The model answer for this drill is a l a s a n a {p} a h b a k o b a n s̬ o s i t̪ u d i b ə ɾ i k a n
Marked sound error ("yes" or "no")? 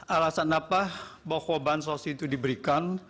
no